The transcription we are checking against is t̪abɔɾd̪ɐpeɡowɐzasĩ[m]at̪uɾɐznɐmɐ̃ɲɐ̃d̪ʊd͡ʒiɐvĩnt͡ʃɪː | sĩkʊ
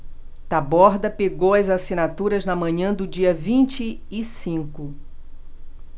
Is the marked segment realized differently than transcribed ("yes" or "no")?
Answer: yes